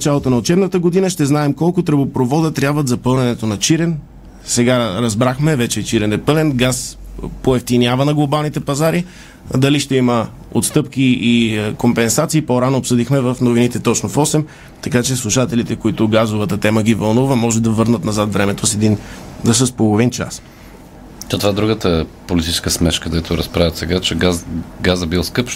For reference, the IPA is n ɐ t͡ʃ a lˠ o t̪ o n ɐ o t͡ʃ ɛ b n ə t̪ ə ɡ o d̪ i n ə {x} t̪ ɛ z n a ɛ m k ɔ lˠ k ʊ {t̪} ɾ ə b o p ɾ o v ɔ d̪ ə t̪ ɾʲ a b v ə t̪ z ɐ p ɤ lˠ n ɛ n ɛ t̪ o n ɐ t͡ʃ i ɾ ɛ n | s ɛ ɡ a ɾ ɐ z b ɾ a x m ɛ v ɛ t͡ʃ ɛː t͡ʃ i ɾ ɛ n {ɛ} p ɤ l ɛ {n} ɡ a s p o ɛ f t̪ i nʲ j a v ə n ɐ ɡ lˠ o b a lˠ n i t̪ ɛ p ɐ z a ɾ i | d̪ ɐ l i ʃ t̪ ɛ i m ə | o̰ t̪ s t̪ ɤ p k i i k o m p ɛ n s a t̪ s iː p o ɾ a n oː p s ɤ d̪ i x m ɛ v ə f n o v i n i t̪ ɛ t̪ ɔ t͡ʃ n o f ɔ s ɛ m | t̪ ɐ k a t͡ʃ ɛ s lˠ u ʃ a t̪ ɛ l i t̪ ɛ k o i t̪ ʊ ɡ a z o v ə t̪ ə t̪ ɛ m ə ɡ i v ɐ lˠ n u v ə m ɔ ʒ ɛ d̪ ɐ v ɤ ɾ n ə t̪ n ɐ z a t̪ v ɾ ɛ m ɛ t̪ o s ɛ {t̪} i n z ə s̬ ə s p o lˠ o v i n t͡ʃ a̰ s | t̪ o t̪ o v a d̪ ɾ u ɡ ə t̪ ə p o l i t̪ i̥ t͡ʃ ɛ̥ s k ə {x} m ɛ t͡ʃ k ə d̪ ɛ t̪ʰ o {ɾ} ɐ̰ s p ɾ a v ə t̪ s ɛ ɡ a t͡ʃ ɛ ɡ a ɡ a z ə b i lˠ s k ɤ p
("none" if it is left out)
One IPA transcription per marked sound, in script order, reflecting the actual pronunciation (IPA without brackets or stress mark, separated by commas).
ʃ, t̪, ɛ, n, d̪, s, ɾ